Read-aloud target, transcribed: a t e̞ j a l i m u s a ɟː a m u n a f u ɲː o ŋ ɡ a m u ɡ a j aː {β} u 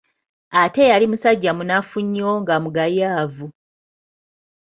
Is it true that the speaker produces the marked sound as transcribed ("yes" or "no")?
no